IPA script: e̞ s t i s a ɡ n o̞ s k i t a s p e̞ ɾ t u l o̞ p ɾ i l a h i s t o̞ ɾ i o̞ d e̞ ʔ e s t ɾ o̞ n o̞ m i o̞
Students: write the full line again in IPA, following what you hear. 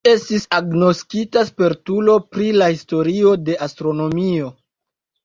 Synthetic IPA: e̞ s t i s a ɡ n o̞ s k i t a s p e̞ ɾ t u l o̞ p ɾ i l a h i s t o̞ ɾ i o̞ d e̞ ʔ a s t ɾ o̞ n o̞ m i o̞